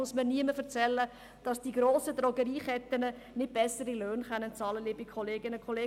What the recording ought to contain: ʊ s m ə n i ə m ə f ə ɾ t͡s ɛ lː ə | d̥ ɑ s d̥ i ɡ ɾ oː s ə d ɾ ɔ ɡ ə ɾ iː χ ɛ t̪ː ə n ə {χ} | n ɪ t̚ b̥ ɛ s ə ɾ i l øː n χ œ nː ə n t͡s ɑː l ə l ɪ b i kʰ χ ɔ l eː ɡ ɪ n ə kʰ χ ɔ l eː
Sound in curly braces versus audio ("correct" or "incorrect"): incorrect